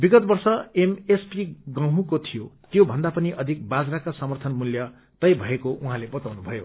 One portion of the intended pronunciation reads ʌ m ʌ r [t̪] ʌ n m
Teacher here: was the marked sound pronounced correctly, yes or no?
no